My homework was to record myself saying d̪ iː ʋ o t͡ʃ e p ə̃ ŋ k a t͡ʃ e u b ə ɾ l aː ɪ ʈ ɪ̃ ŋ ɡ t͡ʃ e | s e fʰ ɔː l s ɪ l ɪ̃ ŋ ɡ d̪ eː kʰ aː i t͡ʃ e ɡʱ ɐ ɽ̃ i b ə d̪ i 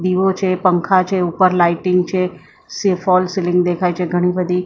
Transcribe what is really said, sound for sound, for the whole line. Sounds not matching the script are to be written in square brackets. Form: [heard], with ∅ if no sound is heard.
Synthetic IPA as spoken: d̪ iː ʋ o t͡ʃ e p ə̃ ŋ [kʰ] a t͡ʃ e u [p] ə ɾ l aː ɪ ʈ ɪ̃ ŋ ɡ t͡ʃ e | s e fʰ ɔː l s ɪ l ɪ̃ ŋ ɡ d̪ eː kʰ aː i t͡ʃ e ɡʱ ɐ ɽ̃ i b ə d̪ i